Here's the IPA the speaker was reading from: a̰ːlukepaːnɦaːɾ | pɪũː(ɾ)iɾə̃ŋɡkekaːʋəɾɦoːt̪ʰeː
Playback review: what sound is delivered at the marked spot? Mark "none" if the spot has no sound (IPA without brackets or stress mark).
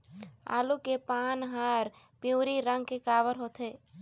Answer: ɾ